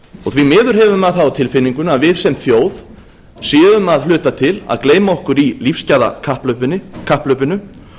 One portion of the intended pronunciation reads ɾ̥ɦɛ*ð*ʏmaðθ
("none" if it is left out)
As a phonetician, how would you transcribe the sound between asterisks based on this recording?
v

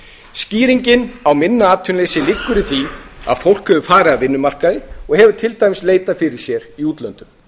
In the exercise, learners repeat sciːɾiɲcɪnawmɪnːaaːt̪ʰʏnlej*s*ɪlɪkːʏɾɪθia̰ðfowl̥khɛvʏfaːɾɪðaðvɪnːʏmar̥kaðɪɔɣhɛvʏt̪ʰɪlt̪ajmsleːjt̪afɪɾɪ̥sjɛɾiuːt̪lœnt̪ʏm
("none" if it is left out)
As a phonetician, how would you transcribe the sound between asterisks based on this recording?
s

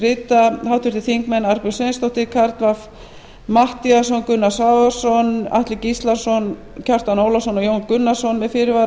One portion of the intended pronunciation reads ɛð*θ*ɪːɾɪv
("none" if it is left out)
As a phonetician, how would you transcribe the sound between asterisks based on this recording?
f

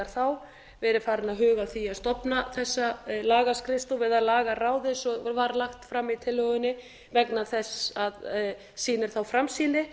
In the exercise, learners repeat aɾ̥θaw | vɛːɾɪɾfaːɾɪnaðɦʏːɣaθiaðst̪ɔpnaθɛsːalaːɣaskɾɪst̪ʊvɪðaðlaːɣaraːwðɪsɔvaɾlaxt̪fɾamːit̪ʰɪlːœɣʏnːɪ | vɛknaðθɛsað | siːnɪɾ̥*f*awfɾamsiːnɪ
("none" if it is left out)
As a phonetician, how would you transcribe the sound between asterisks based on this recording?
θ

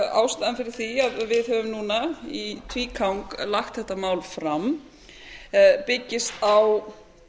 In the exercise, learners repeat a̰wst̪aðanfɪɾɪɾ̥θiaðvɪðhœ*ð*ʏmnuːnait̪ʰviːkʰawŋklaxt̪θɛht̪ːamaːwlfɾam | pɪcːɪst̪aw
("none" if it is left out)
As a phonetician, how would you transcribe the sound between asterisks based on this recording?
v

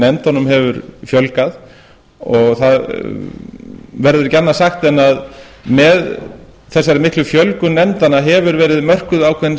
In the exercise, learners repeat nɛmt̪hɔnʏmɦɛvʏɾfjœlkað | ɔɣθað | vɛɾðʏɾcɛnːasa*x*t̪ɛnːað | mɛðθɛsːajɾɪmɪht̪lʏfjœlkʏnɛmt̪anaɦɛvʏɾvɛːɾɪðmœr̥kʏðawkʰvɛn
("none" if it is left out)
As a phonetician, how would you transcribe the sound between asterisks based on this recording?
x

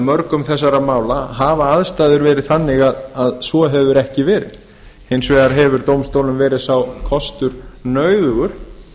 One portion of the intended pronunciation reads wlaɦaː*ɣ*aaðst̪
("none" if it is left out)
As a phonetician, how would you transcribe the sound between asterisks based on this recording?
v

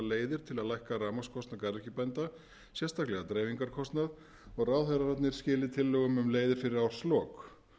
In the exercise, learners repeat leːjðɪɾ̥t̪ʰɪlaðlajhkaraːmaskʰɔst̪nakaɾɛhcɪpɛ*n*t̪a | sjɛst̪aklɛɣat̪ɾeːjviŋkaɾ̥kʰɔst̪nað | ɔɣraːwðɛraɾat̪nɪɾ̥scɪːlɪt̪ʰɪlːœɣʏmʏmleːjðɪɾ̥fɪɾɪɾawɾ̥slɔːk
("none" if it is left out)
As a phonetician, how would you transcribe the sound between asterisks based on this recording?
n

